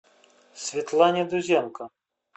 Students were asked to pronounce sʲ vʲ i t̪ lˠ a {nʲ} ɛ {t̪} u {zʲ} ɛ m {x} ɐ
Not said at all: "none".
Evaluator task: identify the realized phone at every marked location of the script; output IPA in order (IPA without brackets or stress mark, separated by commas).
nʲ, d̪, zʲ, k